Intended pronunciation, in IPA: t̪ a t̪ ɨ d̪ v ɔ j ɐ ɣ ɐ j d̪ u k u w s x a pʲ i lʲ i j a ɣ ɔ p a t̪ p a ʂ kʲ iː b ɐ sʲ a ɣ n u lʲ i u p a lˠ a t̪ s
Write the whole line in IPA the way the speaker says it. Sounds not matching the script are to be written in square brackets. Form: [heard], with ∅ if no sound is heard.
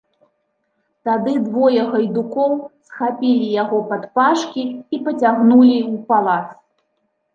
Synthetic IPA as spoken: t̪ a [d̪] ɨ d̪ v ɔ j ɐ ɣ ɐ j d̪ u k [ɔ] w s x a pʲ i lʲ i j a ɣ ɔ p a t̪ p a ʂ kʲ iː [p] ɐ [t͡sʲ] a ɣ n u lʲ i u p a lˠ a t̪ s

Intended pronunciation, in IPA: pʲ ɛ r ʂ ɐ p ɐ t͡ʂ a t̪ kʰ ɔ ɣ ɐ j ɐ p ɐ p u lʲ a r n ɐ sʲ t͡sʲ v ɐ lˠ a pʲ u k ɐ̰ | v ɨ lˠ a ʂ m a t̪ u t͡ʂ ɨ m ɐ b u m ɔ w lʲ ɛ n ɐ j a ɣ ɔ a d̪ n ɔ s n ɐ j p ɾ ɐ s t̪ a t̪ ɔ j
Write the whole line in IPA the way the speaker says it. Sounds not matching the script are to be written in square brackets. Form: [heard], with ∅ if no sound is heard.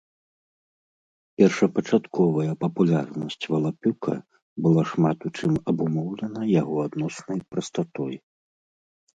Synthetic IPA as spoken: pʲ ɛ r ʂ ɐ p ɐ t͡ʂ a t̪ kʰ ɔ [v] ɐ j ɐ p ɐ p u lʲ a r n ɐ sʲ t͡sʲ v ɐ lˠ a pʲ u k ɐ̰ | [b] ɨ lˠ a ʂ m a t̪ u t͡ʂ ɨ m ɐ b u m ɔ w lʲ ɛ n ɐ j a ɣ ɔ a d̪ n ɔ s n ɐ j p ɾ ɐ s t̪ a t̪ ɔ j

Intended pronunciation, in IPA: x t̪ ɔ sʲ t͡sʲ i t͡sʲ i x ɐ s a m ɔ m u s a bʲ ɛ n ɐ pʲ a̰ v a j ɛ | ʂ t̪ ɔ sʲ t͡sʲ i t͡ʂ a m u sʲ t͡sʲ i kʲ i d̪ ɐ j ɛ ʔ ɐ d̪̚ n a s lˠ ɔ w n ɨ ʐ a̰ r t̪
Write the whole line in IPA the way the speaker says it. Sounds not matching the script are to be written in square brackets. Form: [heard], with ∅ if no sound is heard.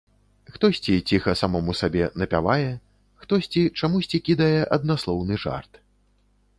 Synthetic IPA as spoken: x t̪ ɔ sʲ t͡sʲ i t͡sʲ i x ɐ s a m ɔ m u s a bʲ ɛ n ɐ pʲ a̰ v a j ɛ | [x] t̪ ɔ sʲ t͡sʲ i t͡ʂ a m u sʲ t͡sʲ i kʲ i d̪ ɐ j ɛ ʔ ɐ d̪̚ n a s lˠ ɔ w n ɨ ʐ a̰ r t̪

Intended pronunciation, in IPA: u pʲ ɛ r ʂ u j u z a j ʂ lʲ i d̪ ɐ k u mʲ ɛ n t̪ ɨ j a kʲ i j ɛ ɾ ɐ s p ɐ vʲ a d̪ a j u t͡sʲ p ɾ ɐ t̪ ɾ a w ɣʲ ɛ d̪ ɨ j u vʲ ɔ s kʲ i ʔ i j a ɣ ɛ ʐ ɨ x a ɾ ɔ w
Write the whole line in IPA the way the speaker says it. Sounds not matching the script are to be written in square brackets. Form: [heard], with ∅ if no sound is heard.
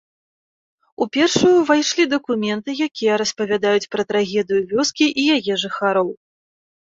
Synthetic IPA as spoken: u pʲ ɛ r ʂ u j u [v] a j ʂ lʲ i d̪ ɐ k u mʲ ɛ n t̪ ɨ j a kʲ i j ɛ ɾ ɐ s p ɐ vʲ a d̪ a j u t͡sʲ p ɾ ɐ t̪ ɾ a [∅] ɣʲ ɛ d̪ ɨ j u vʲ ɔ s kʲ i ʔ i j a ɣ ɛ ʐ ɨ x a ɾ ɔ w

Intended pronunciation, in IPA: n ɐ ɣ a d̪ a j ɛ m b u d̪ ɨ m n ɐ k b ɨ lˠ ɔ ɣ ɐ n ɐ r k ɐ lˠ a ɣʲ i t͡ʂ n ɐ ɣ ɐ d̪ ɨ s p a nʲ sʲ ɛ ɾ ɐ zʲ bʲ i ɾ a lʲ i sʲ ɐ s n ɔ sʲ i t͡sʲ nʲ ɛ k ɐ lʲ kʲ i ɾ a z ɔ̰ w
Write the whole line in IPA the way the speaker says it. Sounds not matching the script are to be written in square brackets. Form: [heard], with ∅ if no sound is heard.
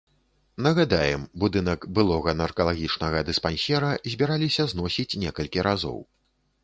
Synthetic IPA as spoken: n ɐ ɣ a d̪ a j ɛ m b u d̪ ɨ [∅] n ɐ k b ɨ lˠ ɔ ɣ ɐ n ɐ r k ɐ lˠ a ɣʲ i t͡ʂ n ɐ ɣ ɐ d̪ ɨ s p a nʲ sʲ ɛ ɾ ɐ zʲ bʲ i ɾ a lʲ i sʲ ɐ [z] n ɔ sʲ i t͡sʲ nʲ ɛ k ɐ lʲ kʲ i ɾ a z ɔ̰ w

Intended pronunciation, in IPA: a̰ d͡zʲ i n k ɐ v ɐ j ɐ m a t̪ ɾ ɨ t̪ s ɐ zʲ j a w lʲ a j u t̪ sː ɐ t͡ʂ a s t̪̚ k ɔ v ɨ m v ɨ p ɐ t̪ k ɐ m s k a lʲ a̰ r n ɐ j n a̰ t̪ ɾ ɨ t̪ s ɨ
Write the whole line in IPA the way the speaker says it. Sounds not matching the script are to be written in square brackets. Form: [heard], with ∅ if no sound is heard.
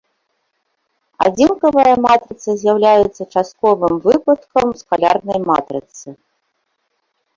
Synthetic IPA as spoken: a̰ d͡zʲ i n k ɐ v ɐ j ɐ m a t̪ ɾ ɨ t̪ s ɐ zʲ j a w lʲ a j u t̪ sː ɐ t͡ʂ a s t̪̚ k ɔ v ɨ m v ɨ p ɐ t̪ k ɐ m s k a lʲ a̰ r n ɐ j [m] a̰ t̪ ɾ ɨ t̪ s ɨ

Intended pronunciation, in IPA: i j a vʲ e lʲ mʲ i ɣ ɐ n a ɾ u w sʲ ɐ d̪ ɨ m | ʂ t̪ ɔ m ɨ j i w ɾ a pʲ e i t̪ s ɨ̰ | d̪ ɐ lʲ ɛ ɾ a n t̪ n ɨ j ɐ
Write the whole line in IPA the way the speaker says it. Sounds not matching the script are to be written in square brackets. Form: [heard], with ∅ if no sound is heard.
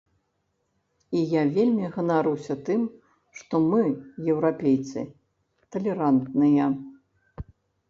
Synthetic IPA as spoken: i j a vʲ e lʲ mʲ i ɣ ɐ n a ɾ u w sʲ ɐ [t̪] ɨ m | ʂ t̪ ɔ m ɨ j [ɛ] w ɾ a pʲ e [j] t̪ s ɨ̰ | [t̪] ɐ lʲ ɛ ɾ a n t̪ n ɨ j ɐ

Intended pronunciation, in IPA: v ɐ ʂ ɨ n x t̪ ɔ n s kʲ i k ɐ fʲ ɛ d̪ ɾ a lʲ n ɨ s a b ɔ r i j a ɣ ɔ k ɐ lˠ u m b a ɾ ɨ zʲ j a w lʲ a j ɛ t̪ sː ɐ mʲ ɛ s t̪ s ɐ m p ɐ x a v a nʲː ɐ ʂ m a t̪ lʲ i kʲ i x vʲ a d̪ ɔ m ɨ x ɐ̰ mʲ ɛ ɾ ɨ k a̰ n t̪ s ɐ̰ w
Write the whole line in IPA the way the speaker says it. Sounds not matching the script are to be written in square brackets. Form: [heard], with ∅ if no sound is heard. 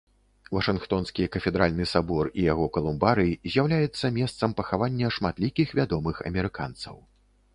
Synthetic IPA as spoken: v ɐ ʂ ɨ n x t̪ ɔ n s kʲ i k ɐ fʲ ɛ d̪ ɾ a lʲ n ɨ s a b ɔ r i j a ɣ ɔ k ɐ lˠ u m b a ɾ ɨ zʲ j a w lʲ a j ɛ t̪ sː ɐ mʲ ɛ s t̪ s ɐ m p ɐ x a v a nʲː ɐ ʂ m a t̪ lʲ i kʲ i x vʲ a d̪ ɔ m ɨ x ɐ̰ mʲ ɛ ɾ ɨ k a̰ n t̪ s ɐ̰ w

